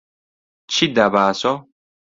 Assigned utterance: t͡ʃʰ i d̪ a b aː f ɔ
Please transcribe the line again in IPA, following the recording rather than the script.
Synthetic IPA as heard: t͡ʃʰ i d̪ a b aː s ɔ